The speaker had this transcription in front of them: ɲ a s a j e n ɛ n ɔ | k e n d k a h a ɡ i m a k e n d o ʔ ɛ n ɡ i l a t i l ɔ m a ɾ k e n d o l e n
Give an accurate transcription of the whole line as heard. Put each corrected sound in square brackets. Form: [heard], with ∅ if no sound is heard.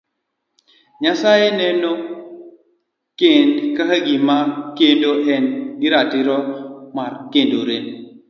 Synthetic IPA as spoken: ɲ a s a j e n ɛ n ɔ | k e n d k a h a ɡ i m a k e n d o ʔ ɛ n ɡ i [ɾ] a t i [ɾ] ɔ m a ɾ k e n d o [ɾ] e n